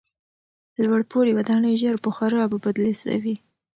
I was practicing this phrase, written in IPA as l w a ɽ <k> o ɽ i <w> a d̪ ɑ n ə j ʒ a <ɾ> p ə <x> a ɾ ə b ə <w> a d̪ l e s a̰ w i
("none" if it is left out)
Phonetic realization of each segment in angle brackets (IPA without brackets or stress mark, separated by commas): p, w, ɾ, x, b